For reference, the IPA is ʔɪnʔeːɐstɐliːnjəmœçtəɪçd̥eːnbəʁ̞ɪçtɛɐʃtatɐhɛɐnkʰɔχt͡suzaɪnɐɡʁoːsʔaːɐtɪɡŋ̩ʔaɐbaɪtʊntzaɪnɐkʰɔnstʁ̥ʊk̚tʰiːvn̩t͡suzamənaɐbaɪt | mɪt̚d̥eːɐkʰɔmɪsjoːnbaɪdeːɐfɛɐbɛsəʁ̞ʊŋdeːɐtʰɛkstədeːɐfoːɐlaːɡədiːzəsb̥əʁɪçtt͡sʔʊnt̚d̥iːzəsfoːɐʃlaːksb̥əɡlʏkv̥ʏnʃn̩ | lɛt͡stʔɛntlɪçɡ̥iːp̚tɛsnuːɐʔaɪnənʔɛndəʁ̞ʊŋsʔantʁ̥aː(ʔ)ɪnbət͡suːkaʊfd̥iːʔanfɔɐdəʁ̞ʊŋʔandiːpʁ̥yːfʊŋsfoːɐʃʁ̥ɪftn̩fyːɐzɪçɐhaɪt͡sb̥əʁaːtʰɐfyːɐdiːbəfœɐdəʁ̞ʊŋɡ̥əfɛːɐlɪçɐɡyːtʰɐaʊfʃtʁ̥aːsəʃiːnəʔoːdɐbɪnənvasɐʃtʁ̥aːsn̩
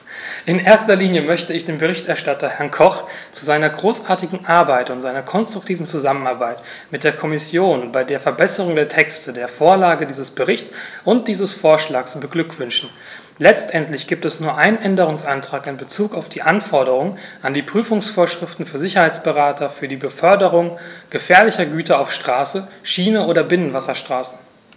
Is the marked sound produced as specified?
no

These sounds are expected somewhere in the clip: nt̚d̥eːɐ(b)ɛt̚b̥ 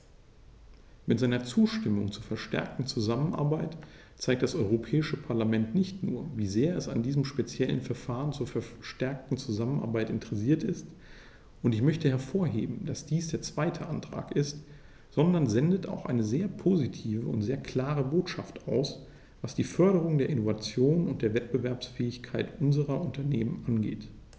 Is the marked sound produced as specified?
no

